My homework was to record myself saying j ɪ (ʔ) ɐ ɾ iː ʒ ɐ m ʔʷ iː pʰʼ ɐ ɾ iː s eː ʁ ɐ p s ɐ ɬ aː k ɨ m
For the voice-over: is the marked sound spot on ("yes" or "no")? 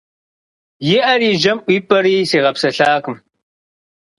yes